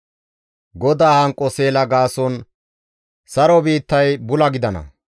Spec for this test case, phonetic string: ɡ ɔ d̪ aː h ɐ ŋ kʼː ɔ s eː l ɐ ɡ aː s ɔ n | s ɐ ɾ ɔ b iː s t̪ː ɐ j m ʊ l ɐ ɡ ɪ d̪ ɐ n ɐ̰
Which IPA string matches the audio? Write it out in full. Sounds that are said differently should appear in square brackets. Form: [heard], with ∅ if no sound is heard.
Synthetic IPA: ɡ ɔ d̪ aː h ɐ ŋ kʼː ɔ s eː l ɐ ɡ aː s ɔ n | s ɐ ɾ ɔ b iː [∅] t̪ː ɐ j [b] ʊ l ɐ ɡ ɪ d̪ ɐ n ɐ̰

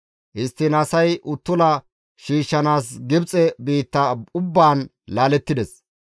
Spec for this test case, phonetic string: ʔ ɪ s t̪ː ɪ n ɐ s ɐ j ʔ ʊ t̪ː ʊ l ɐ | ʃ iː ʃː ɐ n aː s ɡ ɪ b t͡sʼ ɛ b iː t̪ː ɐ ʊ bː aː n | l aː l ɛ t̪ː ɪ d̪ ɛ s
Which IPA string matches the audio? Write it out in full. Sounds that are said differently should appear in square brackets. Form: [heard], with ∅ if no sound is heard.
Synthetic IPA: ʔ ɪ s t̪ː ɪ n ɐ s ɐ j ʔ ʊ t̪ː ʊ l ɐ | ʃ iː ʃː ɐ n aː s ɡ ɪ b t͡sʼ ɛ b iː t̪ː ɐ ʊ bː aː n | l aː l ɛ t̪ː ɪ d̪ ɛ s

